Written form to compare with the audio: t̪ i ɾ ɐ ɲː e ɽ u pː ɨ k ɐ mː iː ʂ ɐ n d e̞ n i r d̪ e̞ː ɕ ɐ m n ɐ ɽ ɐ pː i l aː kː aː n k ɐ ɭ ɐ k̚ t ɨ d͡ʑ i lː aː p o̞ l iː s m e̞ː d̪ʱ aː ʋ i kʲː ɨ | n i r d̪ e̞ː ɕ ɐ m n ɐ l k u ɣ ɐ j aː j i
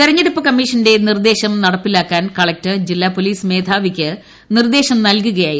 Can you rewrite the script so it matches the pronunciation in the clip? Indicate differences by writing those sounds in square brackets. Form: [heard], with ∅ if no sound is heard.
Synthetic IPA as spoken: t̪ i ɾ ɐ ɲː e ɽ u pː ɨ k ɐ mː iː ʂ ɐ n d e̞ n i r d̪ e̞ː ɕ ɐ m n ɐ ɽ ɐ pː i l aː kː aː n k ɐ ɭ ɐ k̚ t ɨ d͡ʑ i lː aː p o̞ l iː s m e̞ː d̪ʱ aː ʋ i kʲː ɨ | n i r d̪ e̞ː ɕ ɐ m n ɐ l k u ɣ ɐ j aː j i